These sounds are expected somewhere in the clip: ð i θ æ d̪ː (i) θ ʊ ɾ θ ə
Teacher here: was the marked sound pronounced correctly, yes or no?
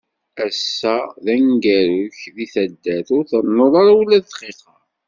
no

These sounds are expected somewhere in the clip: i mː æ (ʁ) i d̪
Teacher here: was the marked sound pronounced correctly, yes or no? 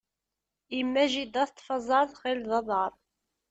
no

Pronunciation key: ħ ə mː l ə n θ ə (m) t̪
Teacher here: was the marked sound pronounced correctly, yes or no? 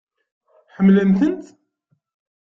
no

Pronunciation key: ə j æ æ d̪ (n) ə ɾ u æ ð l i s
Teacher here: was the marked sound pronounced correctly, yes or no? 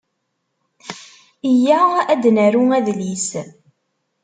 yes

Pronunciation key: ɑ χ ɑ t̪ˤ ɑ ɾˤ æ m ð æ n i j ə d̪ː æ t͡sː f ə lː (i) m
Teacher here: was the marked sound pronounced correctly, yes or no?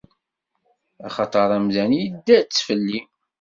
yes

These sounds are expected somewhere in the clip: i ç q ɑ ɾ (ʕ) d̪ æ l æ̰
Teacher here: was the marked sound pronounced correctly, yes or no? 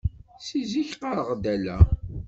no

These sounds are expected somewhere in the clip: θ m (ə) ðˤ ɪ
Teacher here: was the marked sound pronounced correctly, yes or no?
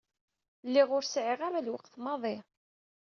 no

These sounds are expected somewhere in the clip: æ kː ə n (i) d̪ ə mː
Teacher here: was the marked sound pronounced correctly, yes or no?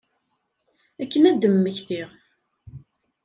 no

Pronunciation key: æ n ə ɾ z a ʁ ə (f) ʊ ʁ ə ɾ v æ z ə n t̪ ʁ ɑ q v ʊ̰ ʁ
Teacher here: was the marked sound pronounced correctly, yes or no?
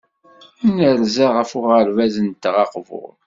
yes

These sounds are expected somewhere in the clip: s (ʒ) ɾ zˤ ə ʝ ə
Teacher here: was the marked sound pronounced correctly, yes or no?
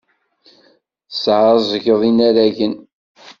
no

